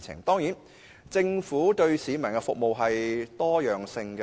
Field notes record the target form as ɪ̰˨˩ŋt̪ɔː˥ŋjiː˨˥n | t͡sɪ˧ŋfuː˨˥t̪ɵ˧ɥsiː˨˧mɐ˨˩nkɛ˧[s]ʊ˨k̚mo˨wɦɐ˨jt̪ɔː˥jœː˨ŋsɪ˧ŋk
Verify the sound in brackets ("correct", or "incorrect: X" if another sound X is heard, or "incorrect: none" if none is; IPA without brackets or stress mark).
incorrect: f